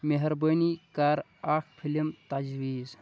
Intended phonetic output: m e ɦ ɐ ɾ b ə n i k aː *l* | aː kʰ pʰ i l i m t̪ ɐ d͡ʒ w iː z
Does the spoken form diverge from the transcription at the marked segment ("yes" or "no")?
yes